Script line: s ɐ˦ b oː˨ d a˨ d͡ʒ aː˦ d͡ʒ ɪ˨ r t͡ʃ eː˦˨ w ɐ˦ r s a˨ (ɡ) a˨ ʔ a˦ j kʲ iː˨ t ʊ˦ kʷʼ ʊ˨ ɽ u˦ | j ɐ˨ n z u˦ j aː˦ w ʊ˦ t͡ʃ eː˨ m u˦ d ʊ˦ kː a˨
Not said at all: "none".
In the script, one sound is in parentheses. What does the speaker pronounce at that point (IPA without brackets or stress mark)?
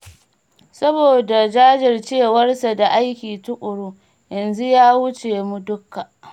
d